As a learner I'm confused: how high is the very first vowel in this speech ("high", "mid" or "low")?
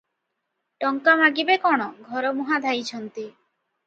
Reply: mid